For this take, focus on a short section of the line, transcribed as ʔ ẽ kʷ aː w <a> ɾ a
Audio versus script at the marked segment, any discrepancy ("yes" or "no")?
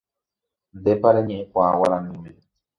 no